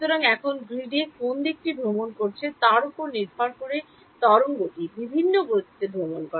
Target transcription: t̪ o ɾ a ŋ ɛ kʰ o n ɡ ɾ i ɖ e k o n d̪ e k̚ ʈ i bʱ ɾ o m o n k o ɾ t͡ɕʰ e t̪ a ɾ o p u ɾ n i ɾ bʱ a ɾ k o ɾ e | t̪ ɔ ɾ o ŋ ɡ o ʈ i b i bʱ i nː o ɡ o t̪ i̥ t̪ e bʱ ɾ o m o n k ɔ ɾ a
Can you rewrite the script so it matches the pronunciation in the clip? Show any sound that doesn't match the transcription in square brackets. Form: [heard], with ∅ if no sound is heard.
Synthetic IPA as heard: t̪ o ɾ a ŋ ɛ kʰ o n ɡ ɾ i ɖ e k o n d̪ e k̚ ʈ i bʱ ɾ o m o n k o ɾ t͡ɕʰ e t̪ a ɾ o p [o] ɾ n i ɾ bʱ a ɾ k o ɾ e | t̪ ɔ ɾ o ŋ ɡ o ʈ i b i bʱ i nː o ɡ o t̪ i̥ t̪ e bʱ ɾ o m o n k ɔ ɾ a